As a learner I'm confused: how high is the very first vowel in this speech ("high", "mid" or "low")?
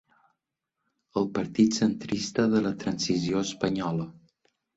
mid